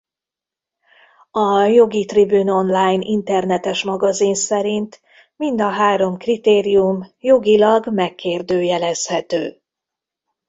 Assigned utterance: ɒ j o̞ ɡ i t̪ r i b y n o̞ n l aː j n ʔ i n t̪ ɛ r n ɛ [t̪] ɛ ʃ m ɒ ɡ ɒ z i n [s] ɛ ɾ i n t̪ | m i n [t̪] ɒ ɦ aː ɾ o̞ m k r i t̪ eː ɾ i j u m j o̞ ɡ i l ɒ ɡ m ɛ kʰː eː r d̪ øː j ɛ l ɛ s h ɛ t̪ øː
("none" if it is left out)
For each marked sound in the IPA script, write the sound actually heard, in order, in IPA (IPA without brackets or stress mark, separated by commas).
t̪, s, d̪